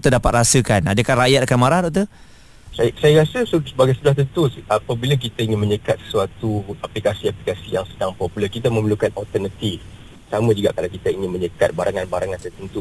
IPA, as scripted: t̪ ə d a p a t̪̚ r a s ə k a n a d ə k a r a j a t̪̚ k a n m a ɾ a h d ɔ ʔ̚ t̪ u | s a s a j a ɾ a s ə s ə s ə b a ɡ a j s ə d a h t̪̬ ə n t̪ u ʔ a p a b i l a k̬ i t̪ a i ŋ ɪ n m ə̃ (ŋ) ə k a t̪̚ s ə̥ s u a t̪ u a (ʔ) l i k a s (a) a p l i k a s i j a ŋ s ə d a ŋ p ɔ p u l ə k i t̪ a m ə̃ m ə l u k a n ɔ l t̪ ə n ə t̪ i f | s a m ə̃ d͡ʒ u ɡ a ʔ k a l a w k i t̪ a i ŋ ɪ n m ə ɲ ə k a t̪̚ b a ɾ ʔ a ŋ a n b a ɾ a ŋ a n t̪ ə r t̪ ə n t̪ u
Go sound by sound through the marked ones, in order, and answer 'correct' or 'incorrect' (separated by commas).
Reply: incorrect, incorrect, incorrect